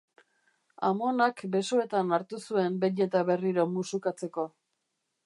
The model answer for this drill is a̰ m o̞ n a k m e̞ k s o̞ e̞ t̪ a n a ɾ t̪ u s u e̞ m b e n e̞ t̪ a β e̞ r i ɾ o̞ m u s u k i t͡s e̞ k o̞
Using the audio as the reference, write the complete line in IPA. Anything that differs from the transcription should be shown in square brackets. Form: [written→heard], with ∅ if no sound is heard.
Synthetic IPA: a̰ m o̞ n a k [m→b] e̞ [k→∅] s o̞ e̞ t̪ a n a ɾ t̪ u s u e̞ m b e [n→ɲ] e̞ t̪ a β e̞ r i ɾ o̞ m u s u k [i→a] t͡s e̞ k o̞